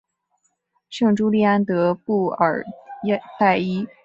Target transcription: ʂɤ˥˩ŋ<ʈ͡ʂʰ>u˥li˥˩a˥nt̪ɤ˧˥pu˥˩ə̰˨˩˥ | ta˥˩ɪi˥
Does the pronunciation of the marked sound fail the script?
yes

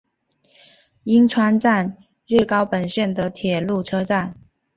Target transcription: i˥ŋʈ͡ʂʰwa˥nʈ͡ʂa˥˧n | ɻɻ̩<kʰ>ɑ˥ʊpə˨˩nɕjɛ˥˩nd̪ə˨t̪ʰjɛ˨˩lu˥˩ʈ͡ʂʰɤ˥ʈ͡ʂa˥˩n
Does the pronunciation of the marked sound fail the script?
yes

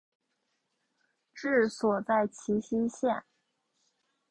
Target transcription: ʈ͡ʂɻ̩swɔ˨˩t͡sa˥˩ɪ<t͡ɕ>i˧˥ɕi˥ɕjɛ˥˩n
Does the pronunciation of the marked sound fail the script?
yes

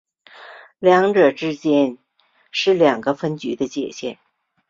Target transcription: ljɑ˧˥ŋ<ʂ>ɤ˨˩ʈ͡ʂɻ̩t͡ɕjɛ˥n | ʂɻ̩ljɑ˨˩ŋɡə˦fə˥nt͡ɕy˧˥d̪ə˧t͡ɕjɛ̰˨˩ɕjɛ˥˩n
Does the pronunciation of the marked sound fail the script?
yes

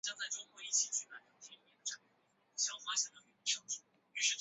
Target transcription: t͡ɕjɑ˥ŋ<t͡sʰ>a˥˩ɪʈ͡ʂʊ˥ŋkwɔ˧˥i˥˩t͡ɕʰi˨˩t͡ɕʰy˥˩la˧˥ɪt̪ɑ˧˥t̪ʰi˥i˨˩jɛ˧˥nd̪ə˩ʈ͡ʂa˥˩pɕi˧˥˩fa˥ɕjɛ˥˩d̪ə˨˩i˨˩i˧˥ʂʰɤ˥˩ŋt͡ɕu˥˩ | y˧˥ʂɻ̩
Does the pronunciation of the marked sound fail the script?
yes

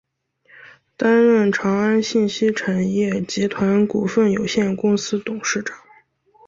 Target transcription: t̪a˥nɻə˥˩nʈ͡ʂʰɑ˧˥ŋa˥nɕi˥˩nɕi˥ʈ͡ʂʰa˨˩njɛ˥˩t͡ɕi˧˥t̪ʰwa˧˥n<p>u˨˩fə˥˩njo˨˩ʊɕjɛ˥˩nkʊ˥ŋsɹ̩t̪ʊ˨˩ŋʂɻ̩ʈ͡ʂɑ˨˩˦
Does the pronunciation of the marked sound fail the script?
yes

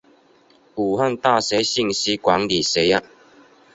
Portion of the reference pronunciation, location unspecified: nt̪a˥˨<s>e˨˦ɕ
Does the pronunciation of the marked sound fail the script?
no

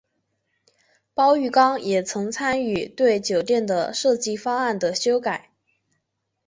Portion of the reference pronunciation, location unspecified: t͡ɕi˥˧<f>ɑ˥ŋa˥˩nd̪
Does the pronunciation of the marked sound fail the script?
no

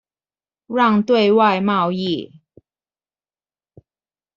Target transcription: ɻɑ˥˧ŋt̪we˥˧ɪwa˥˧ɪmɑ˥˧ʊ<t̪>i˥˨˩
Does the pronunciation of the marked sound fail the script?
yes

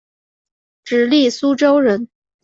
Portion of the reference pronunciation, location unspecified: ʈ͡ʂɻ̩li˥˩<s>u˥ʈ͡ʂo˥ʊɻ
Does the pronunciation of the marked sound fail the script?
no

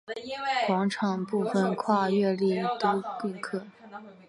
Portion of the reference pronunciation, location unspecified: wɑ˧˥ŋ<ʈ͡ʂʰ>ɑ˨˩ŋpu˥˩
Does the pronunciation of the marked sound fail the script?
no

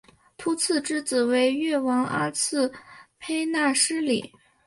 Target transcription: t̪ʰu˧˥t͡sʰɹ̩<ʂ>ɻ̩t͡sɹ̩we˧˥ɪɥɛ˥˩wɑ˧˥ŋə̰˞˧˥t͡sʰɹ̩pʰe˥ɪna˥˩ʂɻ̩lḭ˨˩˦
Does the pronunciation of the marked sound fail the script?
yes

